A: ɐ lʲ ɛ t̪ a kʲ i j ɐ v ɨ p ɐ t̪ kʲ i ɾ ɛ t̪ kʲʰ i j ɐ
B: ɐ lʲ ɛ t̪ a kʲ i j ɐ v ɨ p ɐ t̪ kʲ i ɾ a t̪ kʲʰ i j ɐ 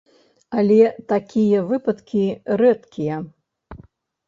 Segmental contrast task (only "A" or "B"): A